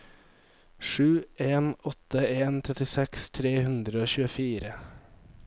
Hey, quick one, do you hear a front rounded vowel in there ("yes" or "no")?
no